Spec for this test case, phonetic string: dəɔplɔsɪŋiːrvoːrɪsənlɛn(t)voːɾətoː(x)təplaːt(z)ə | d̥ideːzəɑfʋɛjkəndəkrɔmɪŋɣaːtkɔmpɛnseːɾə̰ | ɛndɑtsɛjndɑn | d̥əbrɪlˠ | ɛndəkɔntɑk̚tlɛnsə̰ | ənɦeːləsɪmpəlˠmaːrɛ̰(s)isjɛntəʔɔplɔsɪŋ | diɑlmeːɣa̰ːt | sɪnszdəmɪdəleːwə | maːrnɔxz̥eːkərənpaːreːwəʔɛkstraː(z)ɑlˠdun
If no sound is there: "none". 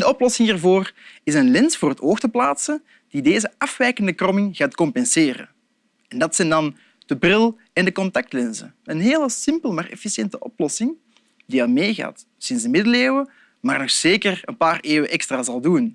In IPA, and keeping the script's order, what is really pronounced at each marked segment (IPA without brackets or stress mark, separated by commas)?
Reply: s, x, s, f, z